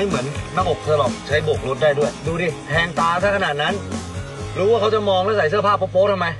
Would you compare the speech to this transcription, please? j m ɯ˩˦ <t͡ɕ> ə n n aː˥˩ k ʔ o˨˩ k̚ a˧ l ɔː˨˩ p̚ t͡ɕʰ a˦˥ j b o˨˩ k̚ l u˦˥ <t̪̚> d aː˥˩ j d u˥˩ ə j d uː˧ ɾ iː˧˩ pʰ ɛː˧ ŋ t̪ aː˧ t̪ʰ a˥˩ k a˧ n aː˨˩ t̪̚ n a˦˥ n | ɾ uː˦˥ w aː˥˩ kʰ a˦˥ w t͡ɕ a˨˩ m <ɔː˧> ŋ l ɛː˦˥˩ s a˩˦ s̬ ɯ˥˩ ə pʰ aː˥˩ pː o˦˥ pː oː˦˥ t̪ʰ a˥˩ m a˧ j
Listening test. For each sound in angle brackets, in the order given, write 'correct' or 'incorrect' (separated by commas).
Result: incorrect, correct, correct